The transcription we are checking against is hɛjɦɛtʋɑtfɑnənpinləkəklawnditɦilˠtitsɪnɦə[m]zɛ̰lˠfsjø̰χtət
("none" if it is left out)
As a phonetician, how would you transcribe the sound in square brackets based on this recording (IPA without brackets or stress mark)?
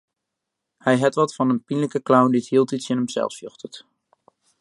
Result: m